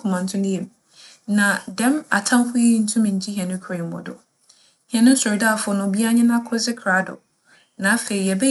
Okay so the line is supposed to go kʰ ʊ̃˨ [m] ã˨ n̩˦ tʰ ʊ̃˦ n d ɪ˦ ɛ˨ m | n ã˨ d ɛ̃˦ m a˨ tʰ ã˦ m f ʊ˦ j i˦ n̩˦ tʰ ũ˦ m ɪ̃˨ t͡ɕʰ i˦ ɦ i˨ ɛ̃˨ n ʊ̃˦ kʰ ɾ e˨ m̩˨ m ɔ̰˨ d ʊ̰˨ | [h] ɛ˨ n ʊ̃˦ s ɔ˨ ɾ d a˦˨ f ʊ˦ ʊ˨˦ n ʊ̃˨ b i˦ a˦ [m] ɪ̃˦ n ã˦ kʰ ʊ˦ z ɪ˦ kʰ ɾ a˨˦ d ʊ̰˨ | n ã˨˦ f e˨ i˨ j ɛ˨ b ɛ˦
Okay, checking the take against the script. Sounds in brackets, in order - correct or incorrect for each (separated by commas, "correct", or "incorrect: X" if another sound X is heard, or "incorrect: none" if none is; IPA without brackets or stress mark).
correct, correct, incorrect: ɲ